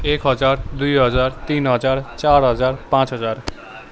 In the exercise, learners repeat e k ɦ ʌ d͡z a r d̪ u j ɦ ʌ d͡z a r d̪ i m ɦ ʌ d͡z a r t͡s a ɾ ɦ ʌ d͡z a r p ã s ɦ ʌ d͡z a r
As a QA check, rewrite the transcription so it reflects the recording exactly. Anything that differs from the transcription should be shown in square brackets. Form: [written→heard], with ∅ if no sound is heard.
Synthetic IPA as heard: e k ɦ ʌ d͡z a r d̪ u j ɦ ʌ d͡z a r [d̪→t̪] i [m→n] ɦ ʌ d͡z a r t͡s a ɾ ɦ ʌ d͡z a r p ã [s→t͡s] ɦ ʌ d͡z a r